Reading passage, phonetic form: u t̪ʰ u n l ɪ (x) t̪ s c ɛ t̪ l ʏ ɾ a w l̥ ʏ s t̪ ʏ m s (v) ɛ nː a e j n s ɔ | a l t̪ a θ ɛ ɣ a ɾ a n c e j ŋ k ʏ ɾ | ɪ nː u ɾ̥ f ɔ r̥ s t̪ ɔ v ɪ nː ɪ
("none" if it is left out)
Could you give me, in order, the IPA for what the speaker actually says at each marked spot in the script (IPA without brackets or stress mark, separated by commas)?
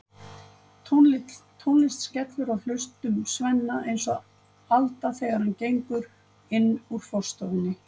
s, v